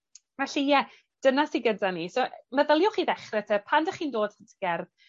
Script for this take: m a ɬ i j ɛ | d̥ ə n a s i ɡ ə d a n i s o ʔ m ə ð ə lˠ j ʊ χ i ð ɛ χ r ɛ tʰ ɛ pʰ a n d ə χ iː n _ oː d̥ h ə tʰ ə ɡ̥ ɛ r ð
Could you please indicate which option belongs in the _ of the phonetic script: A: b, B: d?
B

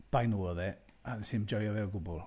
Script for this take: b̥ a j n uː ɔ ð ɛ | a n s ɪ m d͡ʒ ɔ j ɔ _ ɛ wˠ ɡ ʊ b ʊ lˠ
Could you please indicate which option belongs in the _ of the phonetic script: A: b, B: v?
B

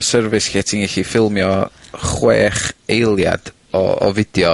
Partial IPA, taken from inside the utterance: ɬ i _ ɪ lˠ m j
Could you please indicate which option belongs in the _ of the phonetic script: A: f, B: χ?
A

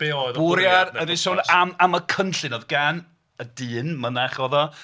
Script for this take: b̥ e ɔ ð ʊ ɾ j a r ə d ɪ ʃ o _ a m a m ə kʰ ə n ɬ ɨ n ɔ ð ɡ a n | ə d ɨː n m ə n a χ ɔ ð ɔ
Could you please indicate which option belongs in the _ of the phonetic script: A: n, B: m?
A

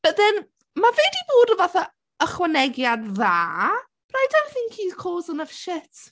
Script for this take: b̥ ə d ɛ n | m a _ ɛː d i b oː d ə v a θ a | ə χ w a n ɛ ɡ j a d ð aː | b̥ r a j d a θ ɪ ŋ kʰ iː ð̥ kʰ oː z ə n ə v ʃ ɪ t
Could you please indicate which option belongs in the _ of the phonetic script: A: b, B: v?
B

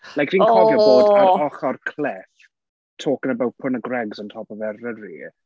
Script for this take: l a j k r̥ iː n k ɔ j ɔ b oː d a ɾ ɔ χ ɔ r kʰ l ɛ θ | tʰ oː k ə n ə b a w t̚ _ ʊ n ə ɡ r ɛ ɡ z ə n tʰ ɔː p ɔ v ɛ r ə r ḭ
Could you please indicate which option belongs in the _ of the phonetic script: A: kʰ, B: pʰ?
B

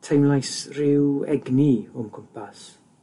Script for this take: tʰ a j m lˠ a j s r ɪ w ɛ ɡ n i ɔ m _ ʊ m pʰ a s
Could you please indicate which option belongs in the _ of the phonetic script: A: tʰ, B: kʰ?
B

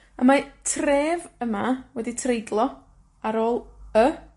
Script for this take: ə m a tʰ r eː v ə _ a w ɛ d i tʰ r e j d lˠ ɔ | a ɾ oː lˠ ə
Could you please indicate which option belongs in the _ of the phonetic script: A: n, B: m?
B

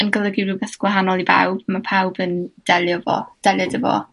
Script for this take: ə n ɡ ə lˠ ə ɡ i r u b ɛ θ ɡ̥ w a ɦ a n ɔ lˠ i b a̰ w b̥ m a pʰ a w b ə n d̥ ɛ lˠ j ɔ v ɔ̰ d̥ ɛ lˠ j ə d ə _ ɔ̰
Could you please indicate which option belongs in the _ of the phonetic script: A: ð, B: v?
B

